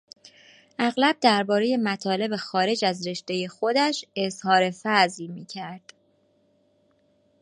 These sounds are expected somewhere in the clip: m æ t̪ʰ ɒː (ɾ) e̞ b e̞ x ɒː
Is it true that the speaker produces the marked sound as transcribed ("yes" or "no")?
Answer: no